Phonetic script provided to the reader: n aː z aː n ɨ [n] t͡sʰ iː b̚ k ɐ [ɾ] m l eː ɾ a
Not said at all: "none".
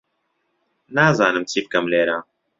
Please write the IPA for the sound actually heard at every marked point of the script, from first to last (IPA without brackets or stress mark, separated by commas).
m, none